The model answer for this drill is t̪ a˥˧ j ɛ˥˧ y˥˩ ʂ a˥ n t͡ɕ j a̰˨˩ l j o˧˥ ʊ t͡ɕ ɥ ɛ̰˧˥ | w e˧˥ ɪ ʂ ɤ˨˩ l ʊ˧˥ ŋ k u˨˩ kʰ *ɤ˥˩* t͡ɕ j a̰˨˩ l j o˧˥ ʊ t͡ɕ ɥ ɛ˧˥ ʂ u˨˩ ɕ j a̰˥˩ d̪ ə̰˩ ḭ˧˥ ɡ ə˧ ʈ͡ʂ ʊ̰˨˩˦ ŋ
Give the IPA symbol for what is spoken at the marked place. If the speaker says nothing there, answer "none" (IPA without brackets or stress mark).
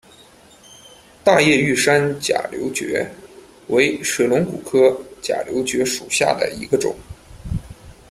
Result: ɤ˥